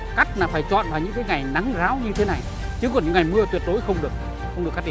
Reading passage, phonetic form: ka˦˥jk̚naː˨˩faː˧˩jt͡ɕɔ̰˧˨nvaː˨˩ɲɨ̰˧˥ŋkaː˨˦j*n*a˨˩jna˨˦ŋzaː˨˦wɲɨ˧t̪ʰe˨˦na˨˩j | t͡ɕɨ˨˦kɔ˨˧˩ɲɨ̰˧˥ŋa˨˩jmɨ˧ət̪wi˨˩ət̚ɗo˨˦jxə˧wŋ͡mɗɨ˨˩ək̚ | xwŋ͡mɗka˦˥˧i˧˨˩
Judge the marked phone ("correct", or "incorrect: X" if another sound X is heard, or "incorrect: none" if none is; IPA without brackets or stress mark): incorrect: ŋ